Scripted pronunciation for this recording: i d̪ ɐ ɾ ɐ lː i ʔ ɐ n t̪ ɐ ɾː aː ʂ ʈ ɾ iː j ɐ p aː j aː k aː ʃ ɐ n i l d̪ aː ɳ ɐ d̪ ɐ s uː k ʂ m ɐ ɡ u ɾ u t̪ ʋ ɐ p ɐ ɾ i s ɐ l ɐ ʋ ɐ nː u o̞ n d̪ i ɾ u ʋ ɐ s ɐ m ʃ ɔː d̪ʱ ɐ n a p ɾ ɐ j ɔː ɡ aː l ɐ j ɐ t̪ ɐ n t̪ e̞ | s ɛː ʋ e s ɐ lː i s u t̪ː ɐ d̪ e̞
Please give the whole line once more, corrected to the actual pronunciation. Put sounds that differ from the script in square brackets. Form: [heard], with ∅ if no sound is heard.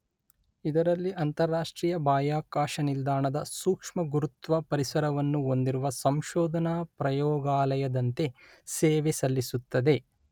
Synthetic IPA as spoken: i d̪ ɐ ɾ ɐ lː i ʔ ɐ n t̪ ɐ ɾː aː ʂ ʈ ɾ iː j ɐ [b] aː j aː k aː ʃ ɐ n i l d̪ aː ɳ ɐ d̪ ɐ s uː k ʂ m ɐ ɡ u ɾ u t̪ ʋ ɐ p ɐ ɾ i s ɐ [ɾ] ɐ ʋ ɐ nː u o̞ n d̪ i ɾ u ʋ ɐ s ɐ m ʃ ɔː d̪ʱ ɐ n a p ɾ ɐ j ɔː ɡ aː l ɐ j ɐ [d̪] ɐ n t̪ e̞ | s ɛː ʋ e s ɐ lː i s u t̪ː ɐ d̪ e̞